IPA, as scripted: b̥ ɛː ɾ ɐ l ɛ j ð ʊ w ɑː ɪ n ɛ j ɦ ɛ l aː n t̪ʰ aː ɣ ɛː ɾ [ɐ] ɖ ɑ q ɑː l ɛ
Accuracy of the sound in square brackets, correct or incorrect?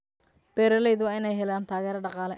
correct